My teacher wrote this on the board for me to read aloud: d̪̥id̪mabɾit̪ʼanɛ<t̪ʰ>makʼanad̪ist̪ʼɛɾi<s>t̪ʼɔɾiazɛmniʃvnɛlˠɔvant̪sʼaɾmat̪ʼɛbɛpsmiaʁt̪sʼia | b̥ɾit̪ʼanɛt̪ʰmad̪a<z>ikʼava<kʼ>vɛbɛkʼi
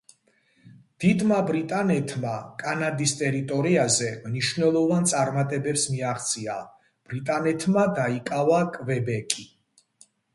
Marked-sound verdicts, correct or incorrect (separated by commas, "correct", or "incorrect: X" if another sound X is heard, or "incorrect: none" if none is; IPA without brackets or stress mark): correct, incorrect: none, incorrect: none, correct